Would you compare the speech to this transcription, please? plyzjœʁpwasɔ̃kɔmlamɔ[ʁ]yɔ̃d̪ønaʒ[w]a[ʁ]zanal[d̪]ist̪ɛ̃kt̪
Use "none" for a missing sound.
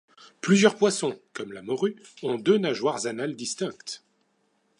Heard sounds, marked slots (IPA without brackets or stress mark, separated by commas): ʁ, w, ʁ, d̪